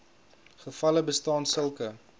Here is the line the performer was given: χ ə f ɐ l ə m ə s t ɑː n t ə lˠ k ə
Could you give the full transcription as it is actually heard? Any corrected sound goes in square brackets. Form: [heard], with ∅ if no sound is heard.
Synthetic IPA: χ ə f ɐ l ə [b] ə s t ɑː n [s] ə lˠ k ə